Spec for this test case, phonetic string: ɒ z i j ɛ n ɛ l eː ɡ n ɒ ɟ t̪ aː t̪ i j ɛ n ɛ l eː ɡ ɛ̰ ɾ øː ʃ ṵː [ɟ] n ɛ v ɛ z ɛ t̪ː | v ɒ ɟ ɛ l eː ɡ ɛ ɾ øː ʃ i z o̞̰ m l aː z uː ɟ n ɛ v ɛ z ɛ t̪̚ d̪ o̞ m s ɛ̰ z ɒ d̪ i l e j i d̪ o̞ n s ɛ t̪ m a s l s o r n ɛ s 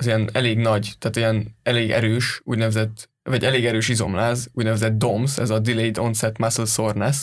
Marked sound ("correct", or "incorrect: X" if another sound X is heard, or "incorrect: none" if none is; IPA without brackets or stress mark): correct